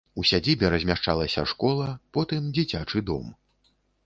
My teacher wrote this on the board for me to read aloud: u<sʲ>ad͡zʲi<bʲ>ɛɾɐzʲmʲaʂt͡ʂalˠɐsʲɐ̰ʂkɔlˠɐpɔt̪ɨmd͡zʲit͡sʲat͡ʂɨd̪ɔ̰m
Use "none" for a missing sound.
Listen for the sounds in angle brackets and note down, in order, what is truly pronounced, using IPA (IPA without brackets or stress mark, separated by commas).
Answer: sʲ, bʲ